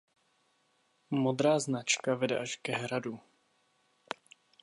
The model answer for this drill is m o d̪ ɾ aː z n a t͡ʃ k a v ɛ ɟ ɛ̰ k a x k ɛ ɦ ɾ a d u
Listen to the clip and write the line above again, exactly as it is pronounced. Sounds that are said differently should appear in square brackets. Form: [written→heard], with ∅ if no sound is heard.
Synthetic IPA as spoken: m o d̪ ɾ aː z n a t͡ʃ k a v ɛ [ɟ→d] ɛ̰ [k→ʔ] a [x→ʃ] k ɛ ɦ ɾ a d u